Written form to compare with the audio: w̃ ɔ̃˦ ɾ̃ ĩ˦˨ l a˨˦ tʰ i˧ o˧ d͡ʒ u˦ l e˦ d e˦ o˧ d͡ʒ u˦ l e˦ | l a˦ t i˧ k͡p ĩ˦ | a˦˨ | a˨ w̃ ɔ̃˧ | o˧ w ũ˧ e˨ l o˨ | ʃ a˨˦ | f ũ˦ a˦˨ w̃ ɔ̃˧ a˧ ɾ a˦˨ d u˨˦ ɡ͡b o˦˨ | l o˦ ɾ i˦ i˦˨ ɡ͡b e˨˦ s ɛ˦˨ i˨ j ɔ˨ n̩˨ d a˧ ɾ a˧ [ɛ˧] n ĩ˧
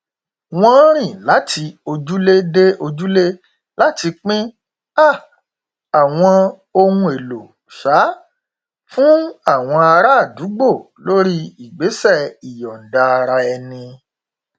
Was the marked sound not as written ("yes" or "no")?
no